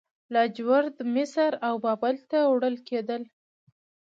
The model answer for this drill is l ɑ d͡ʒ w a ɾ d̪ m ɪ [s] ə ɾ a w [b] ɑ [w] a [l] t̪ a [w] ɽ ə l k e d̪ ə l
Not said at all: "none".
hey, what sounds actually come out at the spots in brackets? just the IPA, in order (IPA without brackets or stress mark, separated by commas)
s, b, b, l, w